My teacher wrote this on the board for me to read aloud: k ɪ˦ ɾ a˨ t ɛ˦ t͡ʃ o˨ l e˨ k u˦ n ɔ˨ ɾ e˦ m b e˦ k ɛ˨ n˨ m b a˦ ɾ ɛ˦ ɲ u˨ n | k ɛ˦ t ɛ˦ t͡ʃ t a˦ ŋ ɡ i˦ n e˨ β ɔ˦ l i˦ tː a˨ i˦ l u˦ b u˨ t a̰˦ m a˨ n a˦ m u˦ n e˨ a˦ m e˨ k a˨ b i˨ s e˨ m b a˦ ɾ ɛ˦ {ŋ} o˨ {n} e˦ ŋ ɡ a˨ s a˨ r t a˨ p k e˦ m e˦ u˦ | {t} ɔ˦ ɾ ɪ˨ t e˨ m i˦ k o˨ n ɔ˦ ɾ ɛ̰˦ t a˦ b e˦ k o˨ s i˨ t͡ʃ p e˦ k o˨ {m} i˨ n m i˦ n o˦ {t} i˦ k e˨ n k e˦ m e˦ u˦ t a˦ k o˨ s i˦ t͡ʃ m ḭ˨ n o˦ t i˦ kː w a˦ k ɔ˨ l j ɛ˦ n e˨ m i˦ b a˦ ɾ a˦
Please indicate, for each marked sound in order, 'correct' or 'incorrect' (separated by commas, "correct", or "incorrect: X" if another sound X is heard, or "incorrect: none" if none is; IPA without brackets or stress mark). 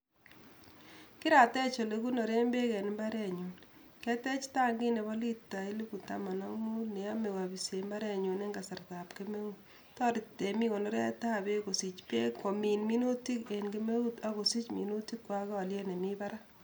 incorrect: ɲ, correct, correct, correct, correct